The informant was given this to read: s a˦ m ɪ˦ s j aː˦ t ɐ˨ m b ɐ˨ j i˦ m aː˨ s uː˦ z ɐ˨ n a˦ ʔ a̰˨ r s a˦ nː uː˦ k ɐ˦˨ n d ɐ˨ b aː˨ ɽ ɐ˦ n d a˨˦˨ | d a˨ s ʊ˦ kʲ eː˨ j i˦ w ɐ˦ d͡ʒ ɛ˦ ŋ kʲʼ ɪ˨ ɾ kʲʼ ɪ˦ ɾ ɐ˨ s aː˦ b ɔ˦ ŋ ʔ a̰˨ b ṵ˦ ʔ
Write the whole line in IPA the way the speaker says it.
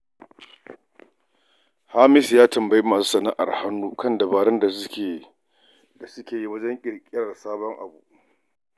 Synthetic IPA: h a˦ m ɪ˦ s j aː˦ t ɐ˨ m b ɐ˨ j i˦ m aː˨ s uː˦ s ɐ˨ n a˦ ʔ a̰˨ r h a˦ nː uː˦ k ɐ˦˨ n d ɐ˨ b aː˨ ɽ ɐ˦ n d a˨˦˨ | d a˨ s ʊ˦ kʲ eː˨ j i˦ w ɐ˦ d͡ʒ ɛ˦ ŋ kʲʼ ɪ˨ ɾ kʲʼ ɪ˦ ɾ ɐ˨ s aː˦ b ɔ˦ ŋ ʔ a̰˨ b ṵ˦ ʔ